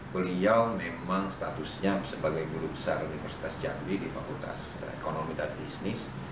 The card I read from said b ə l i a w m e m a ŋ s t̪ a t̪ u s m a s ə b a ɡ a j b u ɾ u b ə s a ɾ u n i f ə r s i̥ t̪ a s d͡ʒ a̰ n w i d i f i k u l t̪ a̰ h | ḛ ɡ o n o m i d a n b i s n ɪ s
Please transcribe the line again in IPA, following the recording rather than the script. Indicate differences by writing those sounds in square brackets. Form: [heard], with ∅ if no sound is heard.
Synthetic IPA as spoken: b ə l i a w m e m a ŋ s t̪ a t̪ u s [ɲ] a s ə b a ɡ a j b u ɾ u b ə s a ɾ u n i f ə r s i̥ t̪ a s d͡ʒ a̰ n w i d i f [a] k u l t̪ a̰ [s] | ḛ [k] o n o m i d a n b i s n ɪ s